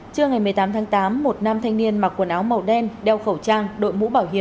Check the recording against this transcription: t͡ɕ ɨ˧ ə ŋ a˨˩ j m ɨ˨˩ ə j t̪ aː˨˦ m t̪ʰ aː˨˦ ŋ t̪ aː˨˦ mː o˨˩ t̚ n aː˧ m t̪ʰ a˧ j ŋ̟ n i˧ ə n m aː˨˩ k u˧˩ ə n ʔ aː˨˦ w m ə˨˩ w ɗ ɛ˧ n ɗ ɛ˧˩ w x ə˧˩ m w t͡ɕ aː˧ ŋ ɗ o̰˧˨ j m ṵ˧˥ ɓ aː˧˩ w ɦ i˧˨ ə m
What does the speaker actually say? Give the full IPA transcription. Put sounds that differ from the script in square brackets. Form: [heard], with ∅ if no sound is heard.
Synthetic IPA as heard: t͡ɕ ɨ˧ ə ŋ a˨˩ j m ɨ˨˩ ə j t̪ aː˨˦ m t̪ʰ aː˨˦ ŋ t̪ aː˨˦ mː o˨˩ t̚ n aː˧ m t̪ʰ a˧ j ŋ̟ n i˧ ə n m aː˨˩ k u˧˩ ə n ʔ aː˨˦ w m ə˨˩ w ɗ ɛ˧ n ɗ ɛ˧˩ w x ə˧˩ [∅] w t͡ɕ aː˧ ŋ ɗ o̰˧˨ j m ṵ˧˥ ɓ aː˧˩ w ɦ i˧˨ ə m